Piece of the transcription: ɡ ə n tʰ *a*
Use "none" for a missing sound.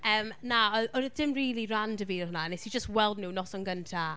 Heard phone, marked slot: a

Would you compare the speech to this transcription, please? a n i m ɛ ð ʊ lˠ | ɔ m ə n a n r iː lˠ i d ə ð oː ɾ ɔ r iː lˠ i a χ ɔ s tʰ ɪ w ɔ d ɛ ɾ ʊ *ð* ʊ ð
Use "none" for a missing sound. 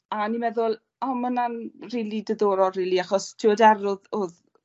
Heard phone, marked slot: ð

